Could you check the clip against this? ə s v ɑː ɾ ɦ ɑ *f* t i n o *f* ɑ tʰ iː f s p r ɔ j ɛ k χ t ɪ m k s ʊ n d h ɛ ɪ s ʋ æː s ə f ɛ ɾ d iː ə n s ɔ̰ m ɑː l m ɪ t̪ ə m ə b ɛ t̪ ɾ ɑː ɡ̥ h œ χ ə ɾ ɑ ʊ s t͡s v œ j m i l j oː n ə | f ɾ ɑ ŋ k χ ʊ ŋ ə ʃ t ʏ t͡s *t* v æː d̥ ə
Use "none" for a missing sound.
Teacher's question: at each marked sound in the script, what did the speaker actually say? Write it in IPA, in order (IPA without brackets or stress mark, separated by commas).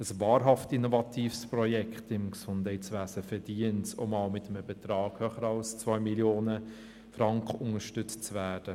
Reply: f, v, t͡s